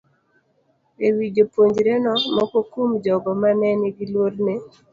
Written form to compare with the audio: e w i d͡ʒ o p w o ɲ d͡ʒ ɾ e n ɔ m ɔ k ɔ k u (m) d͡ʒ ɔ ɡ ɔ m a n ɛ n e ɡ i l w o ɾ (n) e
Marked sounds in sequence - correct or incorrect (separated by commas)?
correct, correct